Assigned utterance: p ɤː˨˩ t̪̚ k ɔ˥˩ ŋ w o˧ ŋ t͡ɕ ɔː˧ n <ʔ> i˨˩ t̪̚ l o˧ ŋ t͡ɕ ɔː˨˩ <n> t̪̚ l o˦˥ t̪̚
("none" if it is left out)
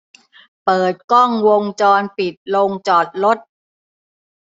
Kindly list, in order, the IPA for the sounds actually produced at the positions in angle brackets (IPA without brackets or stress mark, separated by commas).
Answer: p, none